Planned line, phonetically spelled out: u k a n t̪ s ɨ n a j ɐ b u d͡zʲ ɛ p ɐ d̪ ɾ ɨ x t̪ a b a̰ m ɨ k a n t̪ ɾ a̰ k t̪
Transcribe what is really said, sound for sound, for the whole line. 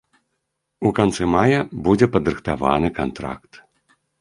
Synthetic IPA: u k a n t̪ s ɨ m a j ɐ b u d͡zʲ ɛ p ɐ d̪ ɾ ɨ x t̪ a v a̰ n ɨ k a n t̪ ɾ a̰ k t̪